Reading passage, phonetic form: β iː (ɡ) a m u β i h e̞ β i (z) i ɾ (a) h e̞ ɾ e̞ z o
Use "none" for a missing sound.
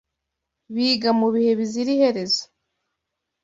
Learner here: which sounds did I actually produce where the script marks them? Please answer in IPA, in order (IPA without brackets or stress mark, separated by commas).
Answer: ɡ, z, i